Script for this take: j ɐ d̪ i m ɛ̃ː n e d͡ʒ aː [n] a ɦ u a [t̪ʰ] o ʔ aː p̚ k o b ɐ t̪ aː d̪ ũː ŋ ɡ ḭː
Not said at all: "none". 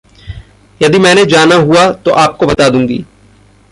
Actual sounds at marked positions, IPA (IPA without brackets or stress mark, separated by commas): n, t̪